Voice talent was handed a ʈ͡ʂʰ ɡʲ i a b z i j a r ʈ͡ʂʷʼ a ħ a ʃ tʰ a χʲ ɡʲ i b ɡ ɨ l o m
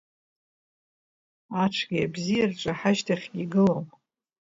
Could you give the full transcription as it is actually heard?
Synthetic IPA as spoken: a ʈ͡ʂʰ ɡʲ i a b z i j a r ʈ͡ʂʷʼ a ħ a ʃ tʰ a χʲ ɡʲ i ɡ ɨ l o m